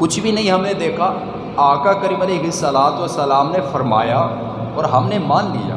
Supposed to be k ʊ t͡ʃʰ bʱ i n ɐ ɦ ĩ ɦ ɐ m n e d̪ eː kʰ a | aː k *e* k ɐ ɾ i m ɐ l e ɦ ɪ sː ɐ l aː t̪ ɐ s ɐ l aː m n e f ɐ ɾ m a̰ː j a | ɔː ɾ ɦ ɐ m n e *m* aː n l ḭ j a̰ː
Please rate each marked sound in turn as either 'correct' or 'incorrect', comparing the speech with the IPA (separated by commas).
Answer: incorrect, correct